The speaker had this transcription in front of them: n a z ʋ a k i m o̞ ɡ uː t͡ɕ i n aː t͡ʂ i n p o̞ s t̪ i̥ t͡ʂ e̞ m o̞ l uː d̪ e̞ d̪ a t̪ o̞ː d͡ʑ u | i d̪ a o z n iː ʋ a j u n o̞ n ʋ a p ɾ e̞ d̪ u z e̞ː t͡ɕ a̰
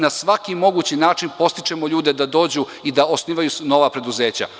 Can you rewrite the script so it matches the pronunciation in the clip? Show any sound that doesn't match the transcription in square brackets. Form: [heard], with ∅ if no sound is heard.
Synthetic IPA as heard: n a [s] ʋ a k i m o̞ ɡ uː t͡ɕ i n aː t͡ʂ i n p o̞ s t̪ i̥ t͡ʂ e̞ m o̞ [ʎ] uː d̪ e̞ d̪ a [d̪] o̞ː d͡ʑ u | i d̪ a o [s] n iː ʋ a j u n o̞ [∅] ʋ a p ɾ e̞ d̪ u z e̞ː t͡ɕ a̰